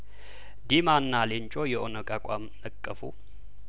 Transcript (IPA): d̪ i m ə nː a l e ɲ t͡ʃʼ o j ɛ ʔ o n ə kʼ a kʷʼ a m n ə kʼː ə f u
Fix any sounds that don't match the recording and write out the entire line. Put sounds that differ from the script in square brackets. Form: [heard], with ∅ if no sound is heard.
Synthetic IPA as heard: d̪ i m [a] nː a l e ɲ t͡ʃʼ o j ɛ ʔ o n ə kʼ a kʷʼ a m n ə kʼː ə f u